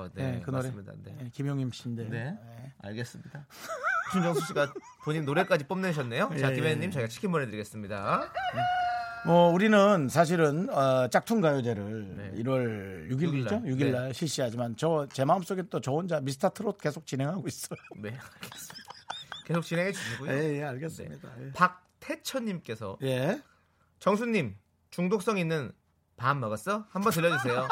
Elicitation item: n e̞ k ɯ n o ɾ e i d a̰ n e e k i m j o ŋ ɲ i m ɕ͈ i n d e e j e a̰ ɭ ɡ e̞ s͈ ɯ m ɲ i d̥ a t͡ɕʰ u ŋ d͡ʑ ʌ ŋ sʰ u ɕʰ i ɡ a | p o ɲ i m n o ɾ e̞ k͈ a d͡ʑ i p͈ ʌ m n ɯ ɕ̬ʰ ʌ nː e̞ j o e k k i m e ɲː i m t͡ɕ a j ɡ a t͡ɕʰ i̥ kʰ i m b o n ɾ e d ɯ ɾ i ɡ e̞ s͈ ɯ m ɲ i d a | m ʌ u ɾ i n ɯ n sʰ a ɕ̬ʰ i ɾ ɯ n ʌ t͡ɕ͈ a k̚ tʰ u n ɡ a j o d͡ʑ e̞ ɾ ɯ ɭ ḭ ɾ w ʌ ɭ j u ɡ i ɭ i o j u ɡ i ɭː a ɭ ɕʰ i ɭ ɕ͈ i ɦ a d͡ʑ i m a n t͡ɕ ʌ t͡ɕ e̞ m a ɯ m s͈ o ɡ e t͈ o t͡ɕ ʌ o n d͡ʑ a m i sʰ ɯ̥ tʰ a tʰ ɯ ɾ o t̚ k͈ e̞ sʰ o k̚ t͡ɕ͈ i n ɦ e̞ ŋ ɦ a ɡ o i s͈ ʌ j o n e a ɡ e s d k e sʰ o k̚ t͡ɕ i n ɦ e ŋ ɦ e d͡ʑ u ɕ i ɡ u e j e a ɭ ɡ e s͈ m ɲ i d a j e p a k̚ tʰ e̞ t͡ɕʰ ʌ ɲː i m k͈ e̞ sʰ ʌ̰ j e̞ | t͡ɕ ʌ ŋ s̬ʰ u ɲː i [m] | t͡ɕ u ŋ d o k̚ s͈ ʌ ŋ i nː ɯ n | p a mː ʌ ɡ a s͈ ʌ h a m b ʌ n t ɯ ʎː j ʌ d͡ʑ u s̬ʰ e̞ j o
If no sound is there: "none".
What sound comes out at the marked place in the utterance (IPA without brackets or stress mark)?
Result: m